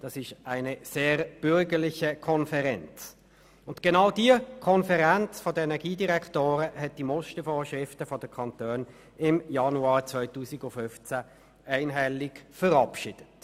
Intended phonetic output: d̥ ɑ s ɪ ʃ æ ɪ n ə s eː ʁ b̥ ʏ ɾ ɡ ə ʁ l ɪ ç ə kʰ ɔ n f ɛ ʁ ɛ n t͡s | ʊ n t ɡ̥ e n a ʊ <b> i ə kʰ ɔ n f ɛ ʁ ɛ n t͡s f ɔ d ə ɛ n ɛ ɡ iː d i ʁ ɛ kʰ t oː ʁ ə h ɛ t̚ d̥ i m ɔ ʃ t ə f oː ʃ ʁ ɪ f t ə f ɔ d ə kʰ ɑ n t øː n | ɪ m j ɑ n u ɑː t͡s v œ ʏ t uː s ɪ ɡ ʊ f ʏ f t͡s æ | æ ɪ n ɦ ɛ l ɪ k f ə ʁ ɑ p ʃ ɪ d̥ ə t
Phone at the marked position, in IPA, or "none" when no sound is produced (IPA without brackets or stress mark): d